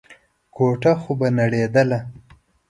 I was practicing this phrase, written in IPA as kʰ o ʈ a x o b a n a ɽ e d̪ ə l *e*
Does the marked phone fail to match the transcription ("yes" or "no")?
yes